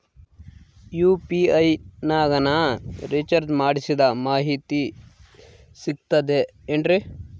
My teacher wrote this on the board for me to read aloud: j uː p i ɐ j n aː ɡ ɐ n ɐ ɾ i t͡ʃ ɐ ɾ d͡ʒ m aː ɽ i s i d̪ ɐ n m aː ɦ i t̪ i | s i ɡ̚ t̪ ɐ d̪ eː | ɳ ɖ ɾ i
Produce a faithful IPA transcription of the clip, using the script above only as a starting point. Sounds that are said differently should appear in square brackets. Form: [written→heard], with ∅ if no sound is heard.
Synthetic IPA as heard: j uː p i ɐ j n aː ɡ ɐ n ɐ ɾ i t͡ʃ ɐ ɾ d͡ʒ m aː ɽ i s i d̪ ɐ [n→∅] m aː ɦ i t̪ i | s i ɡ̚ t̪ ɐ d̪ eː | ɳ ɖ ɾ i